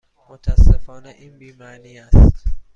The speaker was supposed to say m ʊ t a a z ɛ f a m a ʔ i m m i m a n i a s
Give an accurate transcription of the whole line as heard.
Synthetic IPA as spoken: m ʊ t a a s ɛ f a n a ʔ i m b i m a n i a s

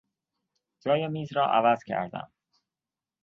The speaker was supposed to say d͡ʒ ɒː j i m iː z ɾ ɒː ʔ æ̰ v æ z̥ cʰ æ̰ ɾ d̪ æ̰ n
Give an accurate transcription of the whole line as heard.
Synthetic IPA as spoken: d͡ʒ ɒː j e m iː z ɾ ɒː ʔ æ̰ v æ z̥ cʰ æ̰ ɾ d̪ æ̰ m

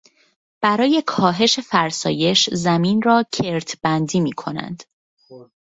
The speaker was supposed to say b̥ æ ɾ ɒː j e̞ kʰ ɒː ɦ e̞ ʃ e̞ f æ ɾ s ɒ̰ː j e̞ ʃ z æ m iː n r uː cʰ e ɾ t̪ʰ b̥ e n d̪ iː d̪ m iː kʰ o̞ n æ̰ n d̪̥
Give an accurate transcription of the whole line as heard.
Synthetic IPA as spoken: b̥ æ ɾ ɒː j e̞ kʰ ɒː ɦ e̞ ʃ e̞ f æ ɾ s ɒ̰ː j e̞ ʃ z æ m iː n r ɒː cʰ e ɾ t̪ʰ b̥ æ n d̪ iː m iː kʰ o̞ n æ̰ n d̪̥

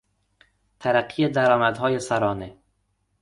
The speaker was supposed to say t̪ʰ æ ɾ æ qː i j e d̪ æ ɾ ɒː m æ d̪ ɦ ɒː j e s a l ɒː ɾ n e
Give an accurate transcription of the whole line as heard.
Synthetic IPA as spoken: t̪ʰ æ ɾ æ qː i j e d̪ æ ɾ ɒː m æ d̪ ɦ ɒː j e s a ɾ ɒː n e

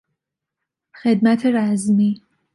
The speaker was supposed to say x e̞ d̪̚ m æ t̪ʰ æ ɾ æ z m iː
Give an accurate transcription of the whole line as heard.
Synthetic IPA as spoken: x e̞ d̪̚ m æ t̪ʰ e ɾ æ z m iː

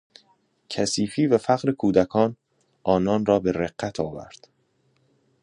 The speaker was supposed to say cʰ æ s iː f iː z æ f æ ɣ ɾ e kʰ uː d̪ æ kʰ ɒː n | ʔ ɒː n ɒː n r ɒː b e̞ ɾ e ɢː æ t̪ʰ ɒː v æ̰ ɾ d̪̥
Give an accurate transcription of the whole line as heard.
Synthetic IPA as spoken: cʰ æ s iː f iː v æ f æ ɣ ɾ e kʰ uː d̪ æ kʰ ɒː n | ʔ ɒː n ɒː n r ɒː b e̞ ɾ e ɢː æ t̪ʰ ɒː v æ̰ ɾ d̪̥

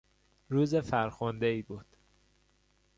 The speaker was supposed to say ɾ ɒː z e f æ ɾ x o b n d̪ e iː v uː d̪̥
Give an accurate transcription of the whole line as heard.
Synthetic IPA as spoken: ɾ uː z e f æ ɾ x o n d̪ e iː b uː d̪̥

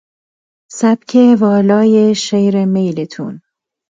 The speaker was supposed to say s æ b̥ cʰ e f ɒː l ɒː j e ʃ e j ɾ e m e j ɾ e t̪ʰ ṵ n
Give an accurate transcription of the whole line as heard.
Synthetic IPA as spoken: s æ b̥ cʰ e v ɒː l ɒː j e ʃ e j ɾ e m e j l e t̪ʰ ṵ n

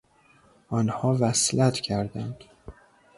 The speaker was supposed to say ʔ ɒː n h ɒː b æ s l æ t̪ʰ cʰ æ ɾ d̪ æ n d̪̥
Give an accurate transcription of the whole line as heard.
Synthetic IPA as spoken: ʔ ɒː n h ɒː v æ s l æ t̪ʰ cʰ æ ɾ d̪ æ n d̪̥

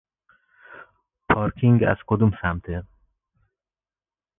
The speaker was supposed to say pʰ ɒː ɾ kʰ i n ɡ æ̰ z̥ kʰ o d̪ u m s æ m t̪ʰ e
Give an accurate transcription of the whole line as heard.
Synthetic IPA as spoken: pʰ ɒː ɾ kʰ i ŋ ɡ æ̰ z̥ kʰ o d̪ u m s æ m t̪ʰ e

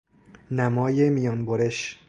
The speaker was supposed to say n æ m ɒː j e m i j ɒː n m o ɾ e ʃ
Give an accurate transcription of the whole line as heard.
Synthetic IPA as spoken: n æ m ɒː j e m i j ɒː n b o ɾ e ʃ

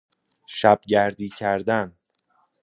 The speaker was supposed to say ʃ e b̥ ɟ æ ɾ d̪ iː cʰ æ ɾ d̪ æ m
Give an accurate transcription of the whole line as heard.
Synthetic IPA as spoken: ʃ æ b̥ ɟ æ ɾ d̪ iː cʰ æ ɾ d̪ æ n

